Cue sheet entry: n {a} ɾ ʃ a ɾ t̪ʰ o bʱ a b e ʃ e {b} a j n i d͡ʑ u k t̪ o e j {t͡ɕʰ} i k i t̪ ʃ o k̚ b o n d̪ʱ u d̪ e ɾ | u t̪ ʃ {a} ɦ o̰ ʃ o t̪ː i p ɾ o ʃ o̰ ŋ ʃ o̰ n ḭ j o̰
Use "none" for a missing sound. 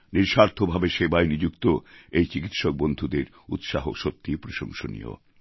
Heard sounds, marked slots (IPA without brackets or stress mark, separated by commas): i, b, t͡ɕ, a